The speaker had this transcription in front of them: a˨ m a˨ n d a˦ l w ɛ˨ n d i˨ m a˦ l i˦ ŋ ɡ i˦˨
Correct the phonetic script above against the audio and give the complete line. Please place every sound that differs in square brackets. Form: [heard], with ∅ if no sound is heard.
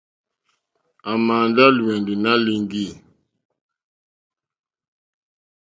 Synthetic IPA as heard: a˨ m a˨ n d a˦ l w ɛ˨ n d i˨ [n] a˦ l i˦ ŋ ɡ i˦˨